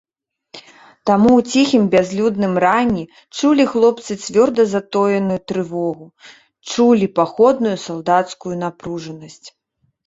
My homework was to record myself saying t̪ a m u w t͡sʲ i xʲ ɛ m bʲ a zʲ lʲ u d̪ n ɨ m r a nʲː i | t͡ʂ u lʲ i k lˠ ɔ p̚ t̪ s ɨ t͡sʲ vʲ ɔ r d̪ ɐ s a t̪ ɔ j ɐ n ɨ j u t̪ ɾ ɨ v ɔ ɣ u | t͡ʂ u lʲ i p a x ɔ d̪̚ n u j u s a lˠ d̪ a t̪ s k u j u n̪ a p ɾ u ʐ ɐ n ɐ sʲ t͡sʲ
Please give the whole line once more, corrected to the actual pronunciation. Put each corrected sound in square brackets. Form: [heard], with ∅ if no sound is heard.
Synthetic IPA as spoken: t̪ a m u w t͡sʲ i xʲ [i] m bʲ a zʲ lʲ u d̪ n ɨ m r a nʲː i | t͡ʂ u lʲ i [x] lˠ ɔ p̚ t̪ s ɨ t͡sʲ vʲ ɔ r d̪ ɐ [z] a t̪ ɔ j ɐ n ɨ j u t̪ ɾ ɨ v ɔ ɣ u | t͡ʂ u lʲ i p a x ɔ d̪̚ n u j u s a lˠ d̪ a t̪ s k u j u n̪ a p ɾ u ʐ ɐ n ɐ sʲ t͡sʲ